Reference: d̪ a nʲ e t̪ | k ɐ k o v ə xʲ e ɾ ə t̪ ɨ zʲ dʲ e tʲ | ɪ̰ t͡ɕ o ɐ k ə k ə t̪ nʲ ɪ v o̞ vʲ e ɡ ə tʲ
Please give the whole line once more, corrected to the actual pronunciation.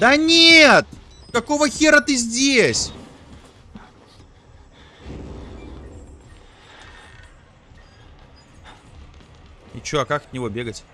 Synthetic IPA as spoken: d̪ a nʲ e t̪ | k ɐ k o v ə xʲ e ɾ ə t̪ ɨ zʲ dʲ e sʲ | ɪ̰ t͡ɕ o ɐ k a k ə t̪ nʲ ɪ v o̞ bʲ e ɡ ə tʲ

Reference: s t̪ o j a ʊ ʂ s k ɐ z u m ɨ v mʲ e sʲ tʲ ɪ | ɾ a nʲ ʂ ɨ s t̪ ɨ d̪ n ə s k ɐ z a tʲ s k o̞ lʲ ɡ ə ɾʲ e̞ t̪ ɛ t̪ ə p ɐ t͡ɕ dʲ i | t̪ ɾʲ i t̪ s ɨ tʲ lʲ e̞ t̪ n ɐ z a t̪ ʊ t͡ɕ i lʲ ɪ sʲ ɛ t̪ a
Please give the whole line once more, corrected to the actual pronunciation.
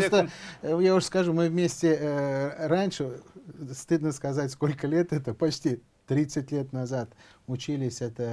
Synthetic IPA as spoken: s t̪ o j a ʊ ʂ s k ɐ ʐ u m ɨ v mʲ e sʲ tʲ ɪ | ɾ a nʲ ʂ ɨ s t̪ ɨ d̪ n ə s k ɐ z a tʲ s k o̞ lʲ k ə lʲ e̞ t̪ ɛ t̪ ə p ɐ t͡ɕ tʲ i | t̪ ɾʲ i t̪ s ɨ tʲ lʲ e̞ t̪ n ɐ z a t̪ ʊ t͡ɕ i lʲ ɪ sʲ ɛ t̪ ə

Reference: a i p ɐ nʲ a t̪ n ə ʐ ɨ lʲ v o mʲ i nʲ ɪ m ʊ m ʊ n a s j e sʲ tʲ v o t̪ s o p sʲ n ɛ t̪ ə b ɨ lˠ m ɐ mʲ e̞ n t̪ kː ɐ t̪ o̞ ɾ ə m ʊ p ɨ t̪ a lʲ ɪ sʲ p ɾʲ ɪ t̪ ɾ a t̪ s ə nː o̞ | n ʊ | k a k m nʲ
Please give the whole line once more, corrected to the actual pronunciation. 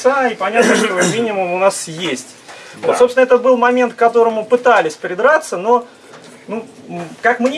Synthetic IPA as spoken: a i p ɐ nʲ a t̪ n ə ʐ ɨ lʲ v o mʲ i nʲ ɪ m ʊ m ʊ n a s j e sʲ tʲ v o t̪ s o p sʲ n ɛ t̪ ə b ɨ lˠ m ɐ mʲ e̞ n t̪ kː ɐ t̪ o̞ ɾ ə m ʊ p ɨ t̪ a lʲ ɪ sʲ p ɾʲ ɪ d̪ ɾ a t̪ s ə n o̞ | n u | k a k m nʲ

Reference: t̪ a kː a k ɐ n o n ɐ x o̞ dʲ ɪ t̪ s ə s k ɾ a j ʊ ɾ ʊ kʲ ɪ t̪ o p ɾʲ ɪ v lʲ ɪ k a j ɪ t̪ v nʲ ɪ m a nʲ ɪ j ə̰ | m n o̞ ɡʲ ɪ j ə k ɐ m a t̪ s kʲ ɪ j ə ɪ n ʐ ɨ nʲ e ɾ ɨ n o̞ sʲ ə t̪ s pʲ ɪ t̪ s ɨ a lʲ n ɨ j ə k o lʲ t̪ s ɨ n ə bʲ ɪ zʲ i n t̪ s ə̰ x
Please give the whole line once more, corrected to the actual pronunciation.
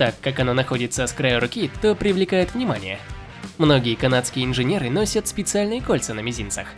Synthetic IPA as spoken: t̪ a kː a k ɐ n o n ɐ x o̞ dʲ ɪ t̪ s ə s k ɾ a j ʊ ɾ ʊ kʲ i t̪ o p ɾʲ ɪ v lʲ ɪ k a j ɪ t̪ v nʲ ɪ m a nʲ ɪ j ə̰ | m n o̞ ɡʲ ɪ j ə k ɐ n a t̪ s kʲ ɪ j ə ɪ n ʐ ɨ nʲ e ɾ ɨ n o̞ sʲ ə t̪ s pʲ ɪ t̪ s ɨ a lʲ n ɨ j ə k o lʲ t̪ s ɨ n ə mʲ ɪ zʲ i n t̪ s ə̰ x

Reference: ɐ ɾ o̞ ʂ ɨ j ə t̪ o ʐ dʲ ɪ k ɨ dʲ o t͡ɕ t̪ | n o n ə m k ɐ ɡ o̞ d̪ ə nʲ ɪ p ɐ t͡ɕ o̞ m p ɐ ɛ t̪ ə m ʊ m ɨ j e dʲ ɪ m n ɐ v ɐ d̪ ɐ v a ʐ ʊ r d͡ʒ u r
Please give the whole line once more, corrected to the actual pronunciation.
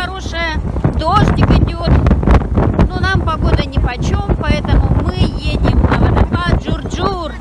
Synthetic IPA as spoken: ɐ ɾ o̞ ʂ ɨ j ə d̪ o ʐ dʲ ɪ k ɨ dʲ o t̪ | n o n a m p ɐ ɡ o̞ d̪ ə nʲ ɪ p ɐ t͡ɕ o̞ m p ɐ ɛ t̪ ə m ʊ m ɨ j e dʲ ɪ m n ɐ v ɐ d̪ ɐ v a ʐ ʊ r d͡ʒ u r

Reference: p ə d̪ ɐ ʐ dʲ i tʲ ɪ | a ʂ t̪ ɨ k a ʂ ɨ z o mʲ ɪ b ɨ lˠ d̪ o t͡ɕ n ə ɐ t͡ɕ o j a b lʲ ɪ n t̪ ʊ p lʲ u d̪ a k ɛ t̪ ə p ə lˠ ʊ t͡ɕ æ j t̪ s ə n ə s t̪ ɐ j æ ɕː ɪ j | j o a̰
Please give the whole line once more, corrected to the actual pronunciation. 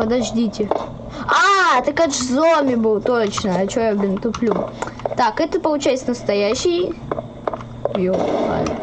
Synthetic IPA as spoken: p ə d̪ ɐ ʐ dʲ i tʲ ɪ | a t̪ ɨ k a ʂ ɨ z o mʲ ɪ b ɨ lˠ t̪ o t͡ɕ n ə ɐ t͡ɕ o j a b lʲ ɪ n t̪ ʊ p lʲ u t̪ a k ɛ t̪ ə p ə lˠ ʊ t͡ɕ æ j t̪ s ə n ə s t̪ ɐ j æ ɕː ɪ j | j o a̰

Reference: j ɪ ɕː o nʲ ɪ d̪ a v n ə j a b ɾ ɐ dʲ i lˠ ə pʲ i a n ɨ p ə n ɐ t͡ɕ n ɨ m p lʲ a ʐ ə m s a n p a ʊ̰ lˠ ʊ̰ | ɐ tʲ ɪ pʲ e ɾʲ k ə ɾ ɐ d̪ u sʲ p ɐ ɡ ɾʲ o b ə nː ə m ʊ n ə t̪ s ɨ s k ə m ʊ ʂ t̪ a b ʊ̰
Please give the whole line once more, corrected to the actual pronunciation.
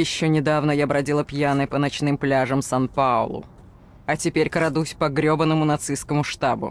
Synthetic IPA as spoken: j ɪ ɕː o nʲ ɪ d̪ a v n ə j a b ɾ ɐ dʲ i lˠ ə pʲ j a n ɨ p ə n ɐ t͡ɕ n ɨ m p lʲ a ʐ ə m s a n p a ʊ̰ lˠ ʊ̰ | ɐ tʲ ɪ pʲ e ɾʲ k ə ɾ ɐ d̪ u sʲ p ɐ ɡ ɾʲ o b ə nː ə m ʊ n ɐ t̪ s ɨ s k ə m ʊ ʂ t̪ a b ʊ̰

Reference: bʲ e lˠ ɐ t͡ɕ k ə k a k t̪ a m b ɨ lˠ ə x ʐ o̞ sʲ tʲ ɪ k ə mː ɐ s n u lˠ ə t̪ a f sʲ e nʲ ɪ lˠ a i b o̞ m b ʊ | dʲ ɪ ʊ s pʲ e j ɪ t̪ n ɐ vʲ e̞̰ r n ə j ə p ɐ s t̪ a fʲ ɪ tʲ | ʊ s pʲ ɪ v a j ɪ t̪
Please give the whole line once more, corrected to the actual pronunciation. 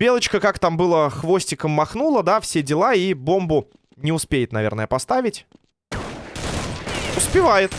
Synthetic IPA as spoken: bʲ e lˠ ə t͡ɕ k ə k a k t̪ a m b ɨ lˠ ə x v o̞ sʲ tʲ ɪ k ə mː ɐ x n u lˠ ə d̪ a f sʲ e dʲ ɪ lˠ a i b o̞ m b ʊ | nʲ ɪ ʊ s pʲ e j ɪ t̪ n ɐ vʲ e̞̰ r n ə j ə p ɐ s t̪ a vʲ ɪ tʲ | ʊ s pʲ ɪ v a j ɪ t̪

